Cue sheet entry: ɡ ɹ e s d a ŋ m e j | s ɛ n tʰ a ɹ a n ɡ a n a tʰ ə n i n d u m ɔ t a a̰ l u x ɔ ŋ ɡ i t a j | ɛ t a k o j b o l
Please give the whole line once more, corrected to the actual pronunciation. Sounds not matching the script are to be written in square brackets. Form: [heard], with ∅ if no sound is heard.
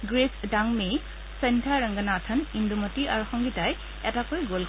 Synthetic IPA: ɡ ɹ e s d a ŋ m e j | s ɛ n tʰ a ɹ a [ŋ] ɡ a n a tʰ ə n i n d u m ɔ t [i] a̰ [ɹ] u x ɔ ŋ ɡ i t a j | ɛ t a k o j [ɡ] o l